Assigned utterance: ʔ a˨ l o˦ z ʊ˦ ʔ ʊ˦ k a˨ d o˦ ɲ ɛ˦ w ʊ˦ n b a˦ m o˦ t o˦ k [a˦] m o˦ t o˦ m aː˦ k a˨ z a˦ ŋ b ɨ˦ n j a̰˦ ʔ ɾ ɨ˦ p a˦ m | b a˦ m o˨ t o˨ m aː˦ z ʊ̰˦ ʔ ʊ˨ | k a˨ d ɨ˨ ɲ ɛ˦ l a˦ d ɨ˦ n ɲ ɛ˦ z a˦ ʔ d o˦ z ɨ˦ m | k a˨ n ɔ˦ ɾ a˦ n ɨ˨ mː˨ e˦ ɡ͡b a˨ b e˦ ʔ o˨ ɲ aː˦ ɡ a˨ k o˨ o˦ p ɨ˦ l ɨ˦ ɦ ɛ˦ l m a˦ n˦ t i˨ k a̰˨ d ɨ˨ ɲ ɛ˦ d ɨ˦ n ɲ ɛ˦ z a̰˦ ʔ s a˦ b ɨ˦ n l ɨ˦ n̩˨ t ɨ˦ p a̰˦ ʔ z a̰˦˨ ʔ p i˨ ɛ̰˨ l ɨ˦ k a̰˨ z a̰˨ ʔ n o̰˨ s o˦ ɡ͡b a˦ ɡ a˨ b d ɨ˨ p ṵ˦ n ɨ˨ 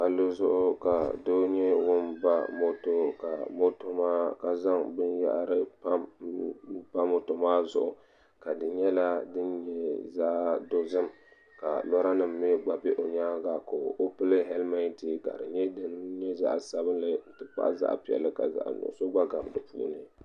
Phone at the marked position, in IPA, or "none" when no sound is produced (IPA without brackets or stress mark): a˨